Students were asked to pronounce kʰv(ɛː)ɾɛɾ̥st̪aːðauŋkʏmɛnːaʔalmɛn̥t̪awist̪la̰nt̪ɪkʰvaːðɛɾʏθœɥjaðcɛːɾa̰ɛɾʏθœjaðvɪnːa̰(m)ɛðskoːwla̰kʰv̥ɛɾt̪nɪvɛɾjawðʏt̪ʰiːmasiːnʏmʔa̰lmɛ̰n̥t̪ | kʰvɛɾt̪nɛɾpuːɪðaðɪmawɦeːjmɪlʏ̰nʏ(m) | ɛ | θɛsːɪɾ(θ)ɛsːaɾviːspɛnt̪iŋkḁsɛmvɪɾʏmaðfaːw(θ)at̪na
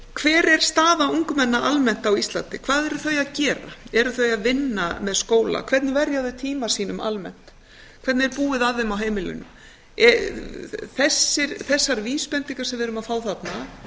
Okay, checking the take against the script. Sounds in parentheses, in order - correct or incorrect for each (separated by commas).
correct, correct, correct, correct, correct